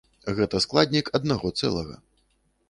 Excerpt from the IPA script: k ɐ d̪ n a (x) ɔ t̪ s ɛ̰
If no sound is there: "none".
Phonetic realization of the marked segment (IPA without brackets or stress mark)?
ɣ